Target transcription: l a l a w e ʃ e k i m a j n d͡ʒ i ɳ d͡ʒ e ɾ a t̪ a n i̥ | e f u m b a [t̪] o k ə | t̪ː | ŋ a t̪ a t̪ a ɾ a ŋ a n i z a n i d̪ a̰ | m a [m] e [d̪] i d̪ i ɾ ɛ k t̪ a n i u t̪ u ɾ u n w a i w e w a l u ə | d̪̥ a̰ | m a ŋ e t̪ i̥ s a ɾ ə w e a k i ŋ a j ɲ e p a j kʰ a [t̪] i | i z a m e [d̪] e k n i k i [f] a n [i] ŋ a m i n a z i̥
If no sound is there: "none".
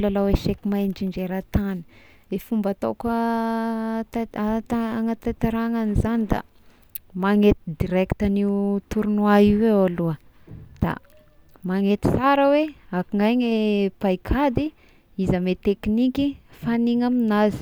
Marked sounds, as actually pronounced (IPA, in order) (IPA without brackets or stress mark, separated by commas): t̪, ŋ, t̪, d̪, t̪, f, i